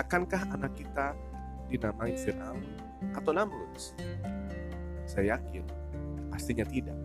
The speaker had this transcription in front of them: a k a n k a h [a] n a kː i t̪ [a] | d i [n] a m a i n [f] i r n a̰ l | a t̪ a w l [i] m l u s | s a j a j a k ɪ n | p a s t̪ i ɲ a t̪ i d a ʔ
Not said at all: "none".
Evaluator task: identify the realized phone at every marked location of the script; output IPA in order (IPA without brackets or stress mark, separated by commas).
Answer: a, a, n, f, a